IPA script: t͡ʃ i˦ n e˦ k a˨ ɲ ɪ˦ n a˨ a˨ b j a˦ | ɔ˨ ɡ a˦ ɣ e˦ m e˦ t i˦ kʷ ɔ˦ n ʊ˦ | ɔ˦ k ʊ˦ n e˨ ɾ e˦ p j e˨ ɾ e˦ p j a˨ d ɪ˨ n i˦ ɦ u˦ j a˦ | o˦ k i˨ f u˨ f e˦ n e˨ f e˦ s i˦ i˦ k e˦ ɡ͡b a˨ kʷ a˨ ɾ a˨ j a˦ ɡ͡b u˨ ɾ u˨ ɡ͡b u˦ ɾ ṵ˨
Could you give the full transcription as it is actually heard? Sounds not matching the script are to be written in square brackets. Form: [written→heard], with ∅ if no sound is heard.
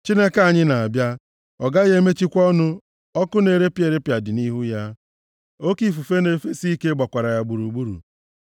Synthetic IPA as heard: t͡ʃ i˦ n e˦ k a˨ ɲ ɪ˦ n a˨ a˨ b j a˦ | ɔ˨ ɡ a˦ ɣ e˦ m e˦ [t→t͡ʃ] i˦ kʷ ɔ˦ n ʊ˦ | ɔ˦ k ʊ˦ n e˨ ɾ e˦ p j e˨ ɾ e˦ p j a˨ d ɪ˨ n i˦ ɦ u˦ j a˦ | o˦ k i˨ f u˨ f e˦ n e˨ f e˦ s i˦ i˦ k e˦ ɡ͡b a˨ kʷ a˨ ɾ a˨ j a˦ ɡ͡b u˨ ɾ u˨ ɡ͡b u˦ ɾ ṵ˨

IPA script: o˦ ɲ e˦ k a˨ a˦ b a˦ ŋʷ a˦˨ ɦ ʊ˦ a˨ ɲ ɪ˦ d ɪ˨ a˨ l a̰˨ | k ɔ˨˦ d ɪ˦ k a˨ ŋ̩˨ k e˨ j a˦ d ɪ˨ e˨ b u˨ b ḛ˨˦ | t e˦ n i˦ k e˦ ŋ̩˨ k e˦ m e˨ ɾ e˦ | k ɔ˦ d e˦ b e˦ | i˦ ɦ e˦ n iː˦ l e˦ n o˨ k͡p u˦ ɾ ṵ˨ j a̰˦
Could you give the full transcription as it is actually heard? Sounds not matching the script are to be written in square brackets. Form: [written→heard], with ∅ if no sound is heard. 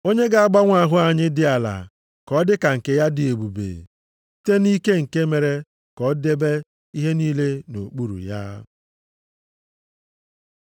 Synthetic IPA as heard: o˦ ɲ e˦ [k→ɡ] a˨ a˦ [b→ɡ͡b] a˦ ŋʷ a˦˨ ɦ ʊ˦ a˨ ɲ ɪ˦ d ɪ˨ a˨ l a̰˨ | k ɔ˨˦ d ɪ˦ k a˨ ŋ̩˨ k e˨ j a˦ d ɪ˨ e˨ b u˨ b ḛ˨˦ | t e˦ n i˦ k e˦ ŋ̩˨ k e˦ m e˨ ɾ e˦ | k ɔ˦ d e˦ b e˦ | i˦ ɦ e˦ n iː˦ l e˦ n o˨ k͡p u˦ ɾ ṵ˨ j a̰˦

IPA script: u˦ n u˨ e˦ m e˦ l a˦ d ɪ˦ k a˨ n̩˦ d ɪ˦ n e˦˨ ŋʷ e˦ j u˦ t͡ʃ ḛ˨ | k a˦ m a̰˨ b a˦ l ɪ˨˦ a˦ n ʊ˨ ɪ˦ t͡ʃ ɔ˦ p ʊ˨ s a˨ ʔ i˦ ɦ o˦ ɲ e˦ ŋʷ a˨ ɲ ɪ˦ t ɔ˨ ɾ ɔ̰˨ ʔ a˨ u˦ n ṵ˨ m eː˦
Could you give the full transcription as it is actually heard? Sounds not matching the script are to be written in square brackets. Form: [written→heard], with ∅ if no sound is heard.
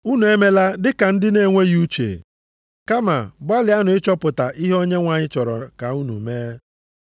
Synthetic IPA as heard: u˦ n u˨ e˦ m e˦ l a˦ d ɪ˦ k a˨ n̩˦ d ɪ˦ n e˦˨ ŋʷ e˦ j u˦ t͡ʃ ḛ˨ | k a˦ m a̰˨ b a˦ l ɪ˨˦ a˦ n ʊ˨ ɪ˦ t͡ʃ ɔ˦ p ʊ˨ [s→t] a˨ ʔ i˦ ɦ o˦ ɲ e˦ ŋʷ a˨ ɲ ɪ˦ [t→t͡ʃ] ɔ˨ ɾ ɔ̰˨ [ʔ→k] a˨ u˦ n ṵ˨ m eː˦

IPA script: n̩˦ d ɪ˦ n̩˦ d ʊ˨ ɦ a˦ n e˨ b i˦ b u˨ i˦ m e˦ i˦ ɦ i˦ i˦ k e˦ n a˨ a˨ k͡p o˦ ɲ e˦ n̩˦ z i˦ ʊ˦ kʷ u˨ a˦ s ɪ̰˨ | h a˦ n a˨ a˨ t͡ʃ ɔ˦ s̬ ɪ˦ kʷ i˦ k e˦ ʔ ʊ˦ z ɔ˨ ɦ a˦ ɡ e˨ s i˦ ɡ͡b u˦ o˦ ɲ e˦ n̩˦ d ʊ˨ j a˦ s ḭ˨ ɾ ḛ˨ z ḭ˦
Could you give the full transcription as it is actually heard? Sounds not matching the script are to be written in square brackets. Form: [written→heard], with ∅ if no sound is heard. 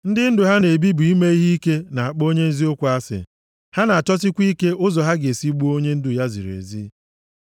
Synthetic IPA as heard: n̩˦ d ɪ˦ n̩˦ d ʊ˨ ɦ a˦ n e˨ b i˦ b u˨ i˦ m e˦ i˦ ɦ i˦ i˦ k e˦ n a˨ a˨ k͡p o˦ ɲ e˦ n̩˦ z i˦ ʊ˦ kʷ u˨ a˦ s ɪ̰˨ | h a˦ n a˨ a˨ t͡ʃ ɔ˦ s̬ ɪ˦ kʷ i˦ k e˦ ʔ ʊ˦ z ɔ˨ ɦ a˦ ɡ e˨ s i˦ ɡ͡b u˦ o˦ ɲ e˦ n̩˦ d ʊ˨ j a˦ [s→z] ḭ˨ ɾ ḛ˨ z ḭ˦

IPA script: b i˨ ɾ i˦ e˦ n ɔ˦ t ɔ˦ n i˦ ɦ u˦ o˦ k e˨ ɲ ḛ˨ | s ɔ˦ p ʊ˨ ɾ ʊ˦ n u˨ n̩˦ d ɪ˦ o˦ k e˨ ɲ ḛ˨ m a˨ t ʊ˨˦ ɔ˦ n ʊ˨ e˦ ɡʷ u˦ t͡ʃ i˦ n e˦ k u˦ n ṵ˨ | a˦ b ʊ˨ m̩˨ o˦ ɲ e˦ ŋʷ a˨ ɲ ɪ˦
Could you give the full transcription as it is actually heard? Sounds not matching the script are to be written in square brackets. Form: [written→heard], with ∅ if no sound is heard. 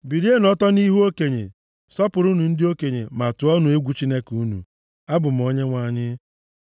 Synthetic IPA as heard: b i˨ ɾ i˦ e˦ n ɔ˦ t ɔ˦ n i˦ ɦ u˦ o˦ k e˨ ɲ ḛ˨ | s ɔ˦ p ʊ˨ ɾ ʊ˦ n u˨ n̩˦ d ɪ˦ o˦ k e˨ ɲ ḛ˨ m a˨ t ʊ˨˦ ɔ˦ n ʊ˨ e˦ ɡʷ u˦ t͡ʃ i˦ n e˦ k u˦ n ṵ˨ | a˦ b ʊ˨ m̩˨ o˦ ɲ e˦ ŋʷ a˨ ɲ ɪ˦

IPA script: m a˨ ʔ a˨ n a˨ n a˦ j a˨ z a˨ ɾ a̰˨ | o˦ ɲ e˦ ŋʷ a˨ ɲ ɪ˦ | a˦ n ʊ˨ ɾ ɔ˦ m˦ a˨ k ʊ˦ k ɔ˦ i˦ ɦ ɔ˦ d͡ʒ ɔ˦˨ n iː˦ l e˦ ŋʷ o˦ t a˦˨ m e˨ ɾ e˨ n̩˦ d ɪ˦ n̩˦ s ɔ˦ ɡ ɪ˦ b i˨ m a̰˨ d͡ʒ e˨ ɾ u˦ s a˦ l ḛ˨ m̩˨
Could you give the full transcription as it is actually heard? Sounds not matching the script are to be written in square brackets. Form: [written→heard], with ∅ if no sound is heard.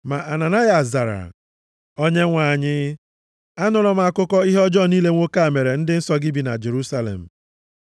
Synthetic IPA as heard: m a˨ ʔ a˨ n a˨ n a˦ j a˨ z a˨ ɾ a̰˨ | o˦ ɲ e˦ ŋʷ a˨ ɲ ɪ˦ | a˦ n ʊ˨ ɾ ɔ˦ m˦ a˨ k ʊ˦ k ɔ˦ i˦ ɦ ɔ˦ d͡ʒ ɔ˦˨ n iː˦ l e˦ ŋʷ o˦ [t→k] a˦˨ m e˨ ɾ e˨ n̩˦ d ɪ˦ n̩˦ s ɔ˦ ɡ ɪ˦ b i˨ [m→n] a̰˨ d͡ʒ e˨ ɾ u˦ s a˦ l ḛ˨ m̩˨

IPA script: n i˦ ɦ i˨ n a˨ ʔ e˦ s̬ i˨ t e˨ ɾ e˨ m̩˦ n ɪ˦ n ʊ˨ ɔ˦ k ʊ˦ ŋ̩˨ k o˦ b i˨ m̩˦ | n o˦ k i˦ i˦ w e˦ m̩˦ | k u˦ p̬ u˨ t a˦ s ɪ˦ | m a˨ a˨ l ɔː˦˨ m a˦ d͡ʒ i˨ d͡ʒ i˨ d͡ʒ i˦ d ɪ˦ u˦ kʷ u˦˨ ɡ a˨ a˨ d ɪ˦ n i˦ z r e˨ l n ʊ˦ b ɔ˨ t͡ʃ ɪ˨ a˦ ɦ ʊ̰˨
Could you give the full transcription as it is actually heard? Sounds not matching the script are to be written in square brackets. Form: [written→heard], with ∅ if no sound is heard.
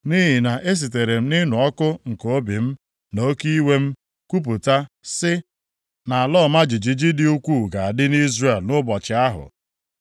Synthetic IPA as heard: n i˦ ɦ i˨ n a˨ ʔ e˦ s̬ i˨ t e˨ ɾ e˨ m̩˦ n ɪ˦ n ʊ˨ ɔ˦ k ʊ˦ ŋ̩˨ k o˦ b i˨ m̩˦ | n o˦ k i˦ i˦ w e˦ m̩˦ | k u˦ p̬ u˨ t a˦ s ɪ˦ | [m→n] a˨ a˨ l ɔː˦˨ m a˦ d͡ʒ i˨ d͡ʒ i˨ d͡ʒ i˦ d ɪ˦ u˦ kʷ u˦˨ ɡ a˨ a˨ d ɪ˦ n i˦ z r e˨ l n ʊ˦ b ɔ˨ t͡ʃ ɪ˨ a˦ ɦ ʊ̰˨

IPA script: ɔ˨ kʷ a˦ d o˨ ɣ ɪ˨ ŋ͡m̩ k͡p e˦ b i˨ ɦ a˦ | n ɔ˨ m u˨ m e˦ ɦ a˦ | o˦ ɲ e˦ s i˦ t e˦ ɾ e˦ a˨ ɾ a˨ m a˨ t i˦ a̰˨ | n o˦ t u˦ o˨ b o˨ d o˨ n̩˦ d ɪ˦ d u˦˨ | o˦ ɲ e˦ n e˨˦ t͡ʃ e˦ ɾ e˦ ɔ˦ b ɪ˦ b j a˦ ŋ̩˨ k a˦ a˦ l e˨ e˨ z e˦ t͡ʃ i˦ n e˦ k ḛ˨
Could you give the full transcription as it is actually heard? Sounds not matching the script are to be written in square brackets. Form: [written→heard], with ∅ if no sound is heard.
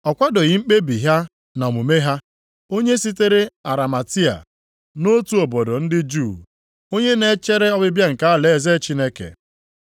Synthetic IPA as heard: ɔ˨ kʷ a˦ d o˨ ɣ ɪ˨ ŋ͡m̩ k͡p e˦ b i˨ ɦ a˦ | n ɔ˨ m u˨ m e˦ ɦ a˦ | o˦ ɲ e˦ s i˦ t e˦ ɾ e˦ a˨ ɾ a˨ m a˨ t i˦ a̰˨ | n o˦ t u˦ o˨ b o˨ d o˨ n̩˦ d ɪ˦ [d→d͡ʒ] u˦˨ | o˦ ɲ e˦ n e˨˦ t͡ʃ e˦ ɾ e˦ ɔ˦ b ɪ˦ b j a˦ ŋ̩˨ k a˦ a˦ l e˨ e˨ z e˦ t͡ʃ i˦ n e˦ k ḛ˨

